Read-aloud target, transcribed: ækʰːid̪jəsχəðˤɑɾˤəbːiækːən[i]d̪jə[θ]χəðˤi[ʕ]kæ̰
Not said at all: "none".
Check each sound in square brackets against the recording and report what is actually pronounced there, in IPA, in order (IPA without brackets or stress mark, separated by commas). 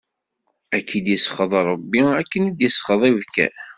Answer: i, s, v